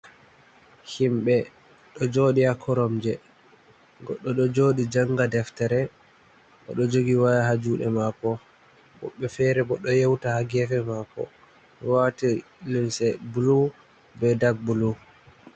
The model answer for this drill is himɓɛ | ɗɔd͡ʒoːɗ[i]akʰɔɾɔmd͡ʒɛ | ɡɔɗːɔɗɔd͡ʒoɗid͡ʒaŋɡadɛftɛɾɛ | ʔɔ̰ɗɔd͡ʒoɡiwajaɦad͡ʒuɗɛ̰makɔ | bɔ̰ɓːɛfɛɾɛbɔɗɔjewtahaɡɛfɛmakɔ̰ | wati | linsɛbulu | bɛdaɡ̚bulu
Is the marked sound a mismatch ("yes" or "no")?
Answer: no